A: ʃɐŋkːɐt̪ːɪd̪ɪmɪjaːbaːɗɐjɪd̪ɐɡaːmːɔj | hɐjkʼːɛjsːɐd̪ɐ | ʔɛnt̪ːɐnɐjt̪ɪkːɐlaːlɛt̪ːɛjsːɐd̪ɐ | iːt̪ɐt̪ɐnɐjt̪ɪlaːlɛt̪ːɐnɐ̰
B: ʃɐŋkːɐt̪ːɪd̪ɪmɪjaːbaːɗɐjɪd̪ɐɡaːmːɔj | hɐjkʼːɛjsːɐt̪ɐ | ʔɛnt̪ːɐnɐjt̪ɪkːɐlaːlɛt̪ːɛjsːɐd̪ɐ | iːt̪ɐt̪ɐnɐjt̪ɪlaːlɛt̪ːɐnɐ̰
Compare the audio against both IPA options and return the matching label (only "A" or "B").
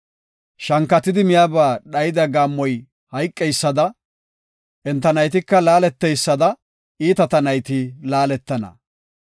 A